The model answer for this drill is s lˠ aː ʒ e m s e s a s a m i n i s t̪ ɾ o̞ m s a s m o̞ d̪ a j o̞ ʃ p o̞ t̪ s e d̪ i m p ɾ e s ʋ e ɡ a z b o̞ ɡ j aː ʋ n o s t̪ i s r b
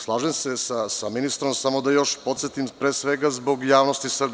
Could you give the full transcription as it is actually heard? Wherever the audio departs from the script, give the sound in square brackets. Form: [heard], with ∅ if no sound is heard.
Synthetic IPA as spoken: s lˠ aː ʒ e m s e s a s a m i n i s t̪ ɾ o̞ m s a [∅] m o̞ d̪ a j o̞ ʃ p o̞ t̪ s e [t̪] i m p ɾ e s ʋ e ɡ a z b o̞ ɡ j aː ʋ n o s t̪ i s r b

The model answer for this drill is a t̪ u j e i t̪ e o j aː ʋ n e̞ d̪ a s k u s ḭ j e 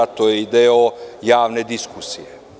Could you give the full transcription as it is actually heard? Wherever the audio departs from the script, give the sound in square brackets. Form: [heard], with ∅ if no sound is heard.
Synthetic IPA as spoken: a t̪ [o] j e i [d̪] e o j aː ʋ n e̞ d̪ [i] s k u s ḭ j e

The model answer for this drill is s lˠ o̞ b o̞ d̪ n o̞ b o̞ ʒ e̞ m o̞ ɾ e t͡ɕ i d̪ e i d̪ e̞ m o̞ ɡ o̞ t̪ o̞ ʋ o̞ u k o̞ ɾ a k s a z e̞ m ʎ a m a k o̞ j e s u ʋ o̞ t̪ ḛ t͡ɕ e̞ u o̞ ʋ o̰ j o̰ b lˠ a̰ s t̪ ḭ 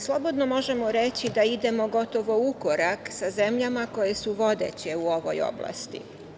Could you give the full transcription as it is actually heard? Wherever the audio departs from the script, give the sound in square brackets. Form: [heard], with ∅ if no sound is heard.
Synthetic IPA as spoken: s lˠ o̞ b o̞ d̪ n o̞ [m] o̞ ʒ e̞ m o̞ ɾ e t͡ɕ i d̪ [a] i d̪ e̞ m o̞ ɡ o̞ t̪ o̞ ʋ o̞ u k o̞ ɾ a k s a z e̞ m ʎ a m a k o̞ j e s u ʋ o̞ [d̪] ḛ t͡ɕ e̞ u o̞ ʋ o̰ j o̰ b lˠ a̰ s t̪ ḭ

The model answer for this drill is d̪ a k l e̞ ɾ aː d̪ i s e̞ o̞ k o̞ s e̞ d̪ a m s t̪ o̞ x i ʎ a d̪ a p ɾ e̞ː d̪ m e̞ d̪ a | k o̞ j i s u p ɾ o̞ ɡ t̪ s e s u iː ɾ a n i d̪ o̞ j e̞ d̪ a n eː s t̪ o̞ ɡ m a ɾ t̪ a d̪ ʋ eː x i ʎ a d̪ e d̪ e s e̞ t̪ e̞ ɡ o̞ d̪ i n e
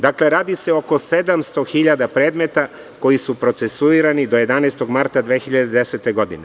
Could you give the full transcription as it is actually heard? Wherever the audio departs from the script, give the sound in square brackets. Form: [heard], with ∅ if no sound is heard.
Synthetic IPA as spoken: d̪ a k l e̞ ɾ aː d̪ i s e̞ o̞ k o̞ s e̞ d̪ a m s t̪ o̞ x i ʎ a d̪ a p ɾ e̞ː d̪ m e̞ [t̪] a | k o̞ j i s u p ɾ o̞ [∅] t̪ s e s u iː ɾ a n i d̪ o̞ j e̞ d̪ a n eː s t̪ o̞ ɡ m a ɾ t̪ a d̪ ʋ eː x i ʎ a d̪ e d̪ e s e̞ t̪ e̞ ɡ o̞ d̪ i n e

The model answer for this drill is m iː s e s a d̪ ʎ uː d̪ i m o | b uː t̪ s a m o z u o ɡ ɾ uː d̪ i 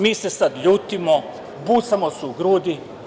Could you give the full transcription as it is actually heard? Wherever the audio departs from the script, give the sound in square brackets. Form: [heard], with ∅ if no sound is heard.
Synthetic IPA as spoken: m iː s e s a d̪ ʎ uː [t̪] i m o | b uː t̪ s a m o [s] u [u] ɡ ɾ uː d̪ i

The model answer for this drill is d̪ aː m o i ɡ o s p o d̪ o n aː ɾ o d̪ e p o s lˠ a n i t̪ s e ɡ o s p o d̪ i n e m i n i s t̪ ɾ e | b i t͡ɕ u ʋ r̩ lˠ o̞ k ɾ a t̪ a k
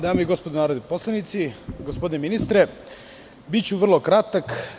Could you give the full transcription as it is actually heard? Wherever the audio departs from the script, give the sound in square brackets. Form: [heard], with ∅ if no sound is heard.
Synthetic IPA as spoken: d̪ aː m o i ɡ o s p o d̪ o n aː ɾ o d̪ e p o s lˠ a n i t̪ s [i] ɡ o s p o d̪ i n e m i n i s t̪ ɾ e | b i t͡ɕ u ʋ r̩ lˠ o̞ k ɾ a t̪ a k

